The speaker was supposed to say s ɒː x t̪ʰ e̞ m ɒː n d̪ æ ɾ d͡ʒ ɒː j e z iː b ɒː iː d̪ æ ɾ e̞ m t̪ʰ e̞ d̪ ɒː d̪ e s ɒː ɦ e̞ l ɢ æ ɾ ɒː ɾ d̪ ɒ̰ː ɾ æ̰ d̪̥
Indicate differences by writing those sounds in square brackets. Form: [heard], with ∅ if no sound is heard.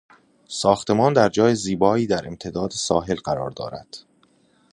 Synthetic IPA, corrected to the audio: s ɒː x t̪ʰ e̞ m ɒː n d̪ æ ɾ d͡ʒ ɒː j e z iː b ɒː iː d̪ æ ɾ e̞ m t̪ʰ e̞ d̪ ɒː d̪ e s ɒː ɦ e̞ l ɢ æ ɾ ɒː ɾ d̪ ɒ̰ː ɾ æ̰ d̪̥